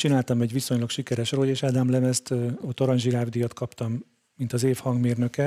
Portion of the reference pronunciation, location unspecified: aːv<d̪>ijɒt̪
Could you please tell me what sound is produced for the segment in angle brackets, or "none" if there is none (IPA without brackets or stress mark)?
d̪